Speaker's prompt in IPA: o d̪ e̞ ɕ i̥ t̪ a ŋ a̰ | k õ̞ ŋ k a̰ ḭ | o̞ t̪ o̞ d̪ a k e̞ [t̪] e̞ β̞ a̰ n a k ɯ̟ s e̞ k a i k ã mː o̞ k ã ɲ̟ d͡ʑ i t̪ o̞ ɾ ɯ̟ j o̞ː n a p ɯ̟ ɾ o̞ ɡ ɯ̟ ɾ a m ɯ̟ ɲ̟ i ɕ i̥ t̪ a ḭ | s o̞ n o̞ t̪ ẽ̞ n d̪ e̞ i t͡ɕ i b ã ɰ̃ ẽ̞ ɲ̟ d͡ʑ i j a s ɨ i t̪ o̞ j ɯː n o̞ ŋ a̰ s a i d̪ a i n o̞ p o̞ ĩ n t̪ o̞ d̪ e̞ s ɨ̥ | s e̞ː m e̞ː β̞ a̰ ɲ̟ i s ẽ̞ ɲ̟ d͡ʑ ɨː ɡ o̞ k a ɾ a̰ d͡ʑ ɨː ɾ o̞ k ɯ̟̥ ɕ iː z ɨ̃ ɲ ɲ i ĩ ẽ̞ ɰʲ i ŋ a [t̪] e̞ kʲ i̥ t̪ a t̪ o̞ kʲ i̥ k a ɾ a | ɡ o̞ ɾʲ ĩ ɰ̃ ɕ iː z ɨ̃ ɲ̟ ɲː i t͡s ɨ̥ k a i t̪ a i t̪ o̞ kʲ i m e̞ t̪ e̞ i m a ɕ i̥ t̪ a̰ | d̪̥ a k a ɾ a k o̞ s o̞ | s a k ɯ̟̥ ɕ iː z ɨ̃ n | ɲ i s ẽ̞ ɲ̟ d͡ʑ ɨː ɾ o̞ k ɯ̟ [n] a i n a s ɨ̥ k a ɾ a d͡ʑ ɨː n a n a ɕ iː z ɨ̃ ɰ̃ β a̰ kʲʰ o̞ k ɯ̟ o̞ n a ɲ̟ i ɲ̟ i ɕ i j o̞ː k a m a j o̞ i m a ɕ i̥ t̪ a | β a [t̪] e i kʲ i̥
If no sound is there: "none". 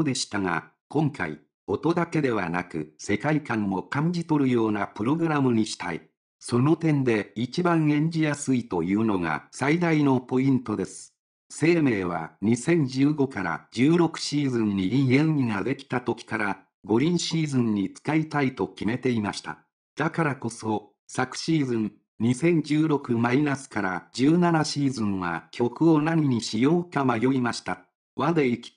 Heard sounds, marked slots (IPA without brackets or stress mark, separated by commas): d̪, d̪, m, d̪